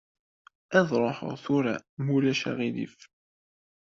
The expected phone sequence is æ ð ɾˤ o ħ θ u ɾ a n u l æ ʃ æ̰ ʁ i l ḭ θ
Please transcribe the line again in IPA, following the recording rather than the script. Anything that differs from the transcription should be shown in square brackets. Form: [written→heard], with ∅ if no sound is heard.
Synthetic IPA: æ ð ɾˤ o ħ θ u ɾ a [n→m] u l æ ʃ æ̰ ʁ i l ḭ [θ→f]